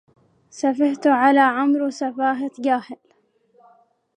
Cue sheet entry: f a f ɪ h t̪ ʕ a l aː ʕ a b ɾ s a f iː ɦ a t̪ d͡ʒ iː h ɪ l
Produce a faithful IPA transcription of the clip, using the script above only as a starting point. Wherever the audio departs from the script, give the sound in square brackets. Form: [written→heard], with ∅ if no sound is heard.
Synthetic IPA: [f→s] a f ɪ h t̪ ʕ a l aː ʕ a [b→m] ɾ s a f [iː→aː] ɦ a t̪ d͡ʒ [iː→aː] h ɪ l